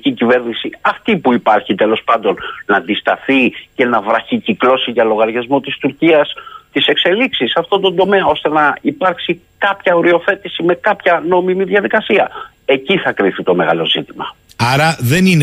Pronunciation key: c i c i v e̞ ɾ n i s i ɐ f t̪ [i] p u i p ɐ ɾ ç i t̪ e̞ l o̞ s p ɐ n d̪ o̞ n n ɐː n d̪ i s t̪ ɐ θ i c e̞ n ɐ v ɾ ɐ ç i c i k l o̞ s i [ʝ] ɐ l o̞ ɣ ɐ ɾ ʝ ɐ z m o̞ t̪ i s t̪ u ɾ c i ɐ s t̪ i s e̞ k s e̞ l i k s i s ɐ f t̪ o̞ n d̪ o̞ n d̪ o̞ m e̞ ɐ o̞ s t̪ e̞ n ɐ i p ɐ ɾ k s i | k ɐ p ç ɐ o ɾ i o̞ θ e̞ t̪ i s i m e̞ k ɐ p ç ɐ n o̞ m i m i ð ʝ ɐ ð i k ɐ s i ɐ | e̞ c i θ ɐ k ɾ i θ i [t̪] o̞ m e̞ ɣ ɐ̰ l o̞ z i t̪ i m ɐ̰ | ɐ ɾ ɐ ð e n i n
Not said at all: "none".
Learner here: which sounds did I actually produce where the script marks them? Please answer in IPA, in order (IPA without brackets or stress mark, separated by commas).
i, ʝ, t̪